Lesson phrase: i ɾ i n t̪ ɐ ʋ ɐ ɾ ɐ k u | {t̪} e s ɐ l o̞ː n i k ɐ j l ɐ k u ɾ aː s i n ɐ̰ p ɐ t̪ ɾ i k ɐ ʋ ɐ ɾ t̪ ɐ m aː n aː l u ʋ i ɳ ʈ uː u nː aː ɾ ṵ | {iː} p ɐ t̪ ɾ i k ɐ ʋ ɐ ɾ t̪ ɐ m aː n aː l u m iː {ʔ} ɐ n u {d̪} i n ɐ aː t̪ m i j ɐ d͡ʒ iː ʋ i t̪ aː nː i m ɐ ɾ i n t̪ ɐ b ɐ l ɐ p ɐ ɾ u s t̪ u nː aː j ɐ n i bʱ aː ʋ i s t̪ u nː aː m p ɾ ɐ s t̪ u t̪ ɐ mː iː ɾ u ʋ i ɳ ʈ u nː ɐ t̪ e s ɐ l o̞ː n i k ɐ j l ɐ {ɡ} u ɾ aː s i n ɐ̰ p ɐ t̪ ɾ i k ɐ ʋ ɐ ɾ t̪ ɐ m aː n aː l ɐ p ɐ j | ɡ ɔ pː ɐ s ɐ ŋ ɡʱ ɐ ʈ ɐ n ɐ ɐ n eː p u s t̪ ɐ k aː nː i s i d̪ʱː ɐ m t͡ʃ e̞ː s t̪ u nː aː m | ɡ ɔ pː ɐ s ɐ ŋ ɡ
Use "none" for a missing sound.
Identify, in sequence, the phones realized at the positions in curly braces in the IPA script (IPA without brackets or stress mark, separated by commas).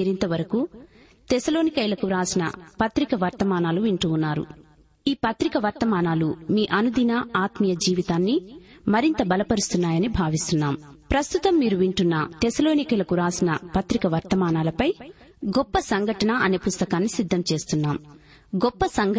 t̪, iː, ʔ, d̪, k